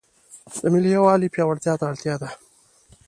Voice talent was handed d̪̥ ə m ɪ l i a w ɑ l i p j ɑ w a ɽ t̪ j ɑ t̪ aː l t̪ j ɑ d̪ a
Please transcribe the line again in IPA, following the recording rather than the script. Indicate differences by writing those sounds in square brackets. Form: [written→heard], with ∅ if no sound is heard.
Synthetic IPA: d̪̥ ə m ɪ l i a w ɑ l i p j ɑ w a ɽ t̪ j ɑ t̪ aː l t̪ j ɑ d̪ a